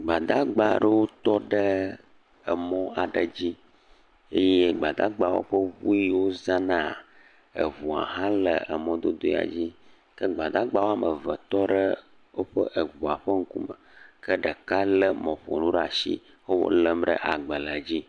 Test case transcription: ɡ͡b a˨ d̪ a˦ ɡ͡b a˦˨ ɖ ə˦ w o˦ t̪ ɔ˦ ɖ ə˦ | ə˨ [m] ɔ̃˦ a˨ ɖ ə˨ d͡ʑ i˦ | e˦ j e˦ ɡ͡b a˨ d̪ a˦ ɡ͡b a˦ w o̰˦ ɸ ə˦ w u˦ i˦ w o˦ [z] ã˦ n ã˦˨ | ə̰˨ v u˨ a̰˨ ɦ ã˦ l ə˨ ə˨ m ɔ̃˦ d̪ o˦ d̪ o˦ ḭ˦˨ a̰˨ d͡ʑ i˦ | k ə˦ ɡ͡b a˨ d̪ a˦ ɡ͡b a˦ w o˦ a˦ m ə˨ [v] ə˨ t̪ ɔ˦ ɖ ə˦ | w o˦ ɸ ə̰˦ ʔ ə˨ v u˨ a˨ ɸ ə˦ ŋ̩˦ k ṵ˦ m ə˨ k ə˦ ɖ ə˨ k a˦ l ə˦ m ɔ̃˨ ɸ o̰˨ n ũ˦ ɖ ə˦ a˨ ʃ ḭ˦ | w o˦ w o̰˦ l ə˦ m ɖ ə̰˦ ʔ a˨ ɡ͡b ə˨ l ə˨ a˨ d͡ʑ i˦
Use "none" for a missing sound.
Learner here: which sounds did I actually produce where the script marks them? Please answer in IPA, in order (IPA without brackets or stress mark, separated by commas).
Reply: m, z, v